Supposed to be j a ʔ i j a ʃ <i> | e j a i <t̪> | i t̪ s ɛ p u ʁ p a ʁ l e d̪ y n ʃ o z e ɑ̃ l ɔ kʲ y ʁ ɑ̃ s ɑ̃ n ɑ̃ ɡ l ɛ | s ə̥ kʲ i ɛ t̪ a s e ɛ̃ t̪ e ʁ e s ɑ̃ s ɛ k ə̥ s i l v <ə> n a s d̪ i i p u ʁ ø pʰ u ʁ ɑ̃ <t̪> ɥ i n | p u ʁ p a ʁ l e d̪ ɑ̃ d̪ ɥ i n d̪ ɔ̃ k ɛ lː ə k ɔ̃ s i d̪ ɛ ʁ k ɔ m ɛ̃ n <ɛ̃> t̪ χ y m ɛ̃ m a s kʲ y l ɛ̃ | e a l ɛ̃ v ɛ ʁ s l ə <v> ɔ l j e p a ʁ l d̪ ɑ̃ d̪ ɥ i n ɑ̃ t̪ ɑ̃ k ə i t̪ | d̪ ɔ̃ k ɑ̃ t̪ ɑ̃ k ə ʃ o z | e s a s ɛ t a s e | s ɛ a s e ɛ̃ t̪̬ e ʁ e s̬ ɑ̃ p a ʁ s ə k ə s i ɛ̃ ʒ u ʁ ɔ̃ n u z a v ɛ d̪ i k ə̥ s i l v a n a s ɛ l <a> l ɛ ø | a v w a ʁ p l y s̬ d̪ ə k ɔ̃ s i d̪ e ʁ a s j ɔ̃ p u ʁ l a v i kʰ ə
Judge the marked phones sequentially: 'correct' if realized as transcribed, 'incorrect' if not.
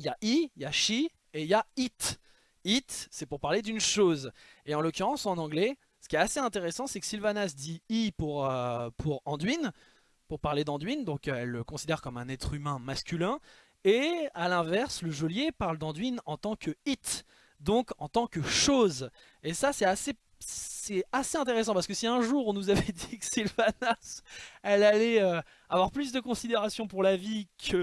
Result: correct, correct, incorrect, incorrect, incorrect, incorrect, correct

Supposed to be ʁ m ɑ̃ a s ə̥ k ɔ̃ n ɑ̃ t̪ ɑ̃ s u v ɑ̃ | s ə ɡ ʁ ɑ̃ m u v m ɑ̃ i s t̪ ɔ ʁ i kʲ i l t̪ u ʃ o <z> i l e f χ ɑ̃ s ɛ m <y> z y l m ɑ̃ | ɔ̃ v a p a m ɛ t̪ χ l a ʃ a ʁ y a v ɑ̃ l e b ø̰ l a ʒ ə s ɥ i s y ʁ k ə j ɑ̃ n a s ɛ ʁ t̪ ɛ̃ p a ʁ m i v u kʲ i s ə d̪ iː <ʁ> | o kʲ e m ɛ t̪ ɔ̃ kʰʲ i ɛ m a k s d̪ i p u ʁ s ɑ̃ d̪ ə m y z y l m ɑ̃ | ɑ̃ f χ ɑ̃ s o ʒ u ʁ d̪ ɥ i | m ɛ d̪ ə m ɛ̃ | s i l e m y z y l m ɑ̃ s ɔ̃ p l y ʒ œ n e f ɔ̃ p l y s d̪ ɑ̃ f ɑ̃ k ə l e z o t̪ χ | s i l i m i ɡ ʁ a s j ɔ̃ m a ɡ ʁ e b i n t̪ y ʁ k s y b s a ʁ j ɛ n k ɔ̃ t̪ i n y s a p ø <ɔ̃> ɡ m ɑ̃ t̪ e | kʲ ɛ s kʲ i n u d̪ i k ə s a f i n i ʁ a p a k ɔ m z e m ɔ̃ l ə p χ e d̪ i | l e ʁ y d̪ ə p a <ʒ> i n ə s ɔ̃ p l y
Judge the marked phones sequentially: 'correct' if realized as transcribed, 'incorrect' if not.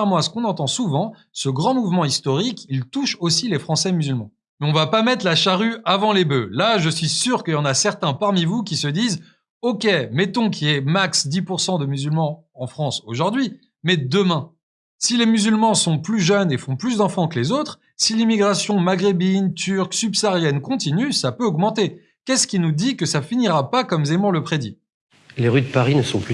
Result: incorrect, correct, incorrect, incorrect, incorrect

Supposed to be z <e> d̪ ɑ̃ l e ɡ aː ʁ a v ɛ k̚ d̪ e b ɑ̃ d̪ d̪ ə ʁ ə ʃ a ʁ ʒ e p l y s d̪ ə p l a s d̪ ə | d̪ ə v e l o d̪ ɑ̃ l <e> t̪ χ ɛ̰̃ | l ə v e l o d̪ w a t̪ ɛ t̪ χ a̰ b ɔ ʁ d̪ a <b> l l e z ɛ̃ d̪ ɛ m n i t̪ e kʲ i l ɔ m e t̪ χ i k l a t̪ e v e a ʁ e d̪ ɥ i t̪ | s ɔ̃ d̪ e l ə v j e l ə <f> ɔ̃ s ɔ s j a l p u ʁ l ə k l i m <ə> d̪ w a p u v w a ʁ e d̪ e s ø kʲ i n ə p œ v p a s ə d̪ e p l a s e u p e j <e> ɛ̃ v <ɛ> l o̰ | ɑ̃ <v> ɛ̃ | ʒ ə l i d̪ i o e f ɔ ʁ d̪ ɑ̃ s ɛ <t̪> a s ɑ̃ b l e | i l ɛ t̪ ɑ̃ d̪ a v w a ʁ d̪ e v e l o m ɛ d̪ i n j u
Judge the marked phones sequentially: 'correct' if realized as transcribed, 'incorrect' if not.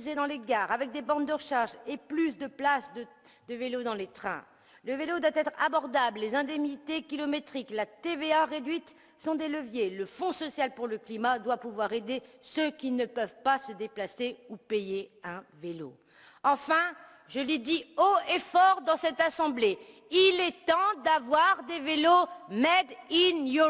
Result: correct, correct, correct, correct, incorrect, correct, incorrect, incorrect, correct

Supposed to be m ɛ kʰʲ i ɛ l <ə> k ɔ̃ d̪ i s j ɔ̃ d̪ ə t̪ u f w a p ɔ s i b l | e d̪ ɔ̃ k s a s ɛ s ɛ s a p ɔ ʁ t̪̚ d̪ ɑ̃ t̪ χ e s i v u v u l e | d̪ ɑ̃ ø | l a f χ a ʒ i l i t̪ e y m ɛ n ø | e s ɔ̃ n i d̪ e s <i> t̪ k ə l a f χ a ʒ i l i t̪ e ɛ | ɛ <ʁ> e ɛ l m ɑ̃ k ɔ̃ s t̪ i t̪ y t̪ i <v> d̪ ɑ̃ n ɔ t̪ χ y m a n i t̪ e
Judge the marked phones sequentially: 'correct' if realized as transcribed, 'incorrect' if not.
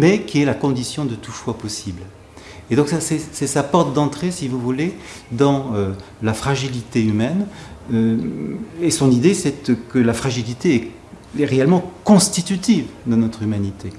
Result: incorrect, incorrect, correct, correct

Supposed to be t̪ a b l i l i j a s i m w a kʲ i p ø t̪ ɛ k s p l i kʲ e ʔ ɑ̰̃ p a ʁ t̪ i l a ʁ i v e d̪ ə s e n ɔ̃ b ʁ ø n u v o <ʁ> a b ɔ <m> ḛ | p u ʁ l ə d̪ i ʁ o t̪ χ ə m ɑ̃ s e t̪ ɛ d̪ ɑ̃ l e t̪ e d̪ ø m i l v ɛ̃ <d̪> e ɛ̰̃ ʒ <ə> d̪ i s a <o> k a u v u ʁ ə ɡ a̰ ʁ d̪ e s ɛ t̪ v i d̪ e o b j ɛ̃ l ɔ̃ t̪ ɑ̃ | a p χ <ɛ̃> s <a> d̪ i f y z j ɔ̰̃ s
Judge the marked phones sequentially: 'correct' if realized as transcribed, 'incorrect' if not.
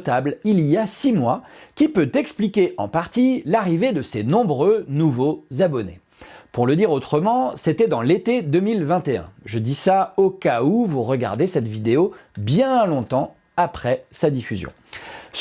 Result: incorrect, incorrect, incorrect, correct, correct, incorrect, correct

